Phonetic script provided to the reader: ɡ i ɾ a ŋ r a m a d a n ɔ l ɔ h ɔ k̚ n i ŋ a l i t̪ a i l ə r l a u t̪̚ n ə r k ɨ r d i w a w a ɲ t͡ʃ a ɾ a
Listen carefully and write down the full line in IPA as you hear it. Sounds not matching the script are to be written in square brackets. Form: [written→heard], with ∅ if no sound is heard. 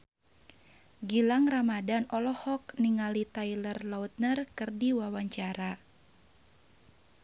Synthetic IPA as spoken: ɡ i [ɾ→l] a ŋ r a m a d a n ɔ l ɔ h ɔ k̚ n i ŋ a l i t̪ a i l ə r l a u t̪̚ n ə r k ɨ r d i w a w a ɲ t͡ʃ a ɾ a